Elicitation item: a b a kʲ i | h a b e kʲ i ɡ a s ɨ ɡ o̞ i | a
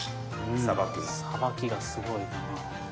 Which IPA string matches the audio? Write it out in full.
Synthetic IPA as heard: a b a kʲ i | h a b a kʲ i ɡ a s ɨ ɡ o̞ i | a